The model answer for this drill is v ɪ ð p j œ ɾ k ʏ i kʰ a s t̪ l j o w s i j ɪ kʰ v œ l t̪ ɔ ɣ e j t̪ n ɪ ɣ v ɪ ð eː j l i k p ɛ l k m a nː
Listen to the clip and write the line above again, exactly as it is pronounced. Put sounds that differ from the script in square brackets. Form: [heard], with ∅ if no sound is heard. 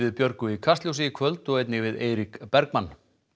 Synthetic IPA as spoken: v ɪ ð p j œ ɾ k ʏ i kʰ a s t̪ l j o w s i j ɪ kʰ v œ l t̪ ɔ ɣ e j t̪ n ɪ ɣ v ɪ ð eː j [ɾ] i k p ɛ [ɾ] k m a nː